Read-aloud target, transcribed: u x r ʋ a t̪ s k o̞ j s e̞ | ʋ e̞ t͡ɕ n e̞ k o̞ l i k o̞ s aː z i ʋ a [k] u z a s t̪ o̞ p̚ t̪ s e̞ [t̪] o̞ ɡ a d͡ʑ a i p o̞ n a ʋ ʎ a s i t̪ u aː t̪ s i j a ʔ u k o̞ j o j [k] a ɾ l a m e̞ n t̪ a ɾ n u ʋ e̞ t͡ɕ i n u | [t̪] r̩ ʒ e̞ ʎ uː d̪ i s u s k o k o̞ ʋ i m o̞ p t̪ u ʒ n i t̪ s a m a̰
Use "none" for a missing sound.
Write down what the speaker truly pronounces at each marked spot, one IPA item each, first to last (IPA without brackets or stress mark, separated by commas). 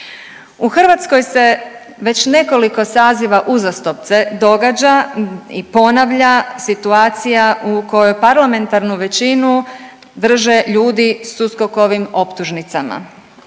ʔ, d̪, p, d̪